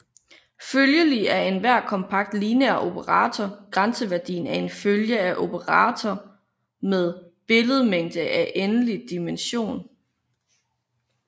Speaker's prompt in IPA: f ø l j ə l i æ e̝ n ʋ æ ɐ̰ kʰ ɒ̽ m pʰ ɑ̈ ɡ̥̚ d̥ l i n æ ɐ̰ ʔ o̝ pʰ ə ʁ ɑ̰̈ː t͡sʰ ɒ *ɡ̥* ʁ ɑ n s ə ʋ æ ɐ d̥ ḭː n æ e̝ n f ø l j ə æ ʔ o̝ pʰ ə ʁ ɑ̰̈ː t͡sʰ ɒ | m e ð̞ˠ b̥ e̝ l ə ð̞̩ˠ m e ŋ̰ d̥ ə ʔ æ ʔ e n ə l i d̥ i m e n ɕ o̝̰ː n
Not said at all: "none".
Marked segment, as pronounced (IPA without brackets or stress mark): ɡ̥